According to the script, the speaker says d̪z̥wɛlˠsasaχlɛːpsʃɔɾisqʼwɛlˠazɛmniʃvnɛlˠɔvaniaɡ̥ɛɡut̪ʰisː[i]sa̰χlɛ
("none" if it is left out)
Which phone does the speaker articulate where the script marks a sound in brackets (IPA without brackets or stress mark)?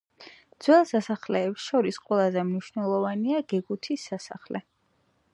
a